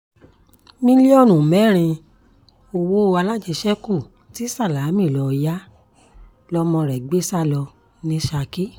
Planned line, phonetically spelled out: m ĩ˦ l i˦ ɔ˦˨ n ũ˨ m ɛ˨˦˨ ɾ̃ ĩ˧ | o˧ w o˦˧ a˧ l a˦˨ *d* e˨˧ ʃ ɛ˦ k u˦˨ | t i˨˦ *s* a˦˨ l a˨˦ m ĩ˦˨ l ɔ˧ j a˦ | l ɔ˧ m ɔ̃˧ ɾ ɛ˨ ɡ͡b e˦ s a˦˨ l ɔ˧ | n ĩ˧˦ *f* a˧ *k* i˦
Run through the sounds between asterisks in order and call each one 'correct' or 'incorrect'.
incorrect: d͡ʒ, correct, incorrect: ʃ, correct

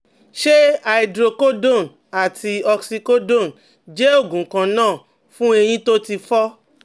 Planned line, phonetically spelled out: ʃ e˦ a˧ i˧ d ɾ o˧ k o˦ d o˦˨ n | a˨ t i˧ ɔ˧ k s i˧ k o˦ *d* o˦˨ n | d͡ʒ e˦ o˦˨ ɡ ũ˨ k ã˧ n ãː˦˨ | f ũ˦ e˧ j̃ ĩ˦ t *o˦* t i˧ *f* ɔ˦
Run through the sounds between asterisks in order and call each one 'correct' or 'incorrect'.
correct, correct, correct

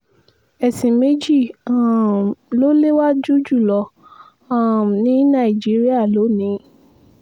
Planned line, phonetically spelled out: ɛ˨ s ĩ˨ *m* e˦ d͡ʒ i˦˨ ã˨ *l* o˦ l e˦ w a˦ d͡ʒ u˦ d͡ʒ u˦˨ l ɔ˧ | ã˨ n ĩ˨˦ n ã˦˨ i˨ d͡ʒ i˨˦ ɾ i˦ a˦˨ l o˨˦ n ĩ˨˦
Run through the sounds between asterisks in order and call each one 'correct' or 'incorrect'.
correct, correct

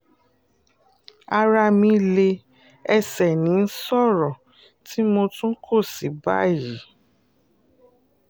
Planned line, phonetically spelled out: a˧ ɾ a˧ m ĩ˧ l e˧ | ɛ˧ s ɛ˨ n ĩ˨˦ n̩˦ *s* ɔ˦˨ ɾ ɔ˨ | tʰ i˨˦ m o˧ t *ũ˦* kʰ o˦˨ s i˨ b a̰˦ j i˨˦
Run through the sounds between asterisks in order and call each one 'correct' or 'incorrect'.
correct, correct

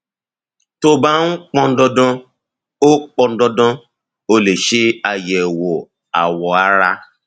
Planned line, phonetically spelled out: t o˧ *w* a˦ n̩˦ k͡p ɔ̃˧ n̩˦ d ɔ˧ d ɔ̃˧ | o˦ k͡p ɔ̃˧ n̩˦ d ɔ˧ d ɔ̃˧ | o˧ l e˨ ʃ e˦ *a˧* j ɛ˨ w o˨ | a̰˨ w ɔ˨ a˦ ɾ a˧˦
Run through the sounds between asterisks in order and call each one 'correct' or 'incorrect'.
incorrect: b, correct

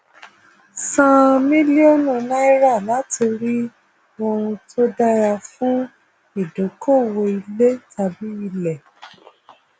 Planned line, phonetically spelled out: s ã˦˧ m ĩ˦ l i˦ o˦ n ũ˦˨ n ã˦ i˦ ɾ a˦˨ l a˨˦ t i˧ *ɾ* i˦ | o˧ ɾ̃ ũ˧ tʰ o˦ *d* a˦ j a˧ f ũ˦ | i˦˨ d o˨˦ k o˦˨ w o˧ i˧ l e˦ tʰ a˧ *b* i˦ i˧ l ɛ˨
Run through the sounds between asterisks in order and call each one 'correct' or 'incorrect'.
correct, correct, correct

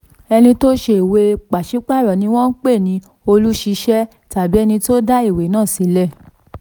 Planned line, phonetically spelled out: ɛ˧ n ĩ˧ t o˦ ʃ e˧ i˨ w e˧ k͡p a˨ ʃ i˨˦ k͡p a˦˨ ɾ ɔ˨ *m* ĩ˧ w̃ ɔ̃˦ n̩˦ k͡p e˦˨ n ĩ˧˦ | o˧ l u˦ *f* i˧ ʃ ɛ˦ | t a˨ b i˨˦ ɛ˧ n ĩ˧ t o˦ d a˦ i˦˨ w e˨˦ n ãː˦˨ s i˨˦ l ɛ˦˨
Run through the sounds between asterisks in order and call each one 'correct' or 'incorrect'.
incorrect: n, incorrect: ʃ

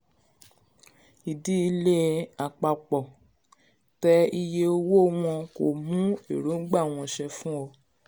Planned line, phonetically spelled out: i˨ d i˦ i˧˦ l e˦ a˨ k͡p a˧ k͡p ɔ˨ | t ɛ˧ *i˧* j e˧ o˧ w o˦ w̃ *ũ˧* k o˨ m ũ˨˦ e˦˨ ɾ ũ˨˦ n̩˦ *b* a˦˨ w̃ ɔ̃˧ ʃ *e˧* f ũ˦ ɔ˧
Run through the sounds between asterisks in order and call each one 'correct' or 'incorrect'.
correct, incorrect: ɔ̃˧, incorrect: ɡ͡b, incorrect: ɛ˧

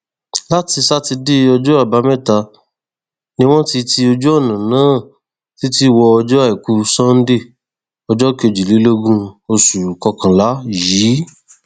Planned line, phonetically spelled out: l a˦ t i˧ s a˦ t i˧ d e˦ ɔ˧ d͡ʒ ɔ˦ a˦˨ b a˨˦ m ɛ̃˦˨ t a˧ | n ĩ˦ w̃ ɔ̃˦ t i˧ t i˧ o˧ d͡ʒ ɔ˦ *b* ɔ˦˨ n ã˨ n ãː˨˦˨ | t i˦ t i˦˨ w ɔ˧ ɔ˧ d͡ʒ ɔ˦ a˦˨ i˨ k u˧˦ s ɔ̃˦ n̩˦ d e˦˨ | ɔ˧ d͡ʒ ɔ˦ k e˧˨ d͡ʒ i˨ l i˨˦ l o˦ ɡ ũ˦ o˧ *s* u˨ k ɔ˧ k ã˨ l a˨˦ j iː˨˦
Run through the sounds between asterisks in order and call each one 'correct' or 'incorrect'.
incorrect: none, correct

